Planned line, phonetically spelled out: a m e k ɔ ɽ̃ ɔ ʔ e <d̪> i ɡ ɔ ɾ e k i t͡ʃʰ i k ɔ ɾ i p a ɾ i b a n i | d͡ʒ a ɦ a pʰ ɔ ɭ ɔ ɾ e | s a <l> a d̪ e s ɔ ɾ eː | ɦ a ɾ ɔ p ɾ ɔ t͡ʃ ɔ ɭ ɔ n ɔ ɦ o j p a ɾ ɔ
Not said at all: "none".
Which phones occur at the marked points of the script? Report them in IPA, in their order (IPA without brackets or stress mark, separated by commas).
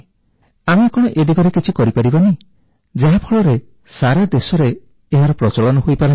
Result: d̪, ɾ